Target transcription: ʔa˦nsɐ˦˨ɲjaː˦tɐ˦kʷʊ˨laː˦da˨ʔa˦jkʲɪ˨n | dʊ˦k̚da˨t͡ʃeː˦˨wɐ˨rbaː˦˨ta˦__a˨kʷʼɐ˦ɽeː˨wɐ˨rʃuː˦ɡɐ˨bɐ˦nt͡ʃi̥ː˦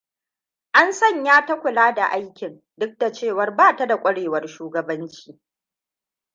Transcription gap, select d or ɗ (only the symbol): d